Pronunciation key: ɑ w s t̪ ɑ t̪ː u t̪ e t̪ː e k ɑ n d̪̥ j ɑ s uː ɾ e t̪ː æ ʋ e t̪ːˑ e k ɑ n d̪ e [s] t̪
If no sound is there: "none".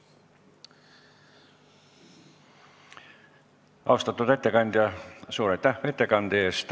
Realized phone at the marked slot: s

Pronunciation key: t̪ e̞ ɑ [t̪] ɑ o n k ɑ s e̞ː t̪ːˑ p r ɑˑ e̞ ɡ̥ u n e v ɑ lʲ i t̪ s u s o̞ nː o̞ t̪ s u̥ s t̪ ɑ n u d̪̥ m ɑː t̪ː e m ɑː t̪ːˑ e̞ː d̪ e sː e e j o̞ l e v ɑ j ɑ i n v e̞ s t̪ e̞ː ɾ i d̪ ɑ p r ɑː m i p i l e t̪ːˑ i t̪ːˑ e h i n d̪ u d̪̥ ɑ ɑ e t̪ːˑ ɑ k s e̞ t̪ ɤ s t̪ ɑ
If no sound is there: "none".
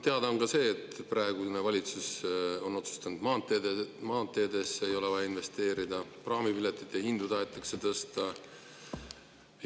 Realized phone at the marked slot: d̪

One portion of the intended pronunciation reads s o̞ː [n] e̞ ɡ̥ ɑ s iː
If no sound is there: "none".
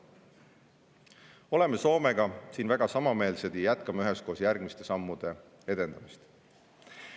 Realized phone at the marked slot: m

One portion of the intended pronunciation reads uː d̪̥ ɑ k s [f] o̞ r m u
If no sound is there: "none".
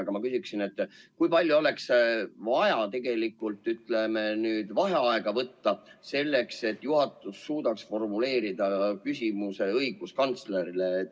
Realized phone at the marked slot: f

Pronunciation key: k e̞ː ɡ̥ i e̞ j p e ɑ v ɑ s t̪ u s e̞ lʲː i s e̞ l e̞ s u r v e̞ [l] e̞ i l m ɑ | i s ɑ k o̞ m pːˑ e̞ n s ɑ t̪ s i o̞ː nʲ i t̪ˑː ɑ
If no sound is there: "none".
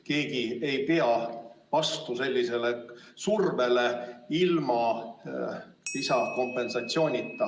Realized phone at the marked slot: l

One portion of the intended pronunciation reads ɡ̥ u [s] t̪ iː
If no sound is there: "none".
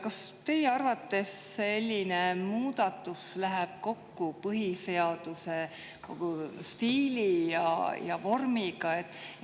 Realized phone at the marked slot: s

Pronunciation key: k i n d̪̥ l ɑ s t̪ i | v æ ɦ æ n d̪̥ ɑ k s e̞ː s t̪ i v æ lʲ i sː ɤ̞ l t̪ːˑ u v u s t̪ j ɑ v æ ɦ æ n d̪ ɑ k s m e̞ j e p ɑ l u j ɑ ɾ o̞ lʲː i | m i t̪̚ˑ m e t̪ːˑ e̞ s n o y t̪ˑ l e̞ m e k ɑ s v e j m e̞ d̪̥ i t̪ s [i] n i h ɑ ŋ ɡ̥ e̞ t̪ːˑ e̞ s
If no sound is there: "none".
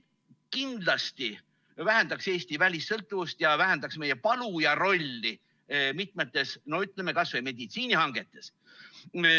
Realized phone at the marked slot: iː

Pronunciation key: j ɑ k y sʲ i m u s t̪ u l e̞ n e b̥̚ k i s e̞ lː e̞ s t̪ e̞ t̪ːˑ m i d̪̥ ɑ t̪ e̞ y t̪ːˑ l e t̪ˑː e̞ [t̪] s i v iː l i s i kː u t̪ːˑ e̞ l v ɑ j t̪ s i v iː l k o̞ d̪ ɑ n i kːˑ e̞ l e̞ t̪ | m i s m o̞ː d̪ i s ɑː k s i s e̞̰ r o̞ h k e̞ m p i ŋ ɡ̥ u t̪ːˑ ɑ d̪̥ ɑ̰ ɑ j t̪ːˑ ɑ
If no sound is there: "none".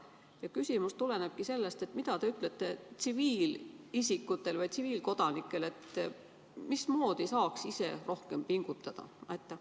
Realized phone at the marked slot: t̪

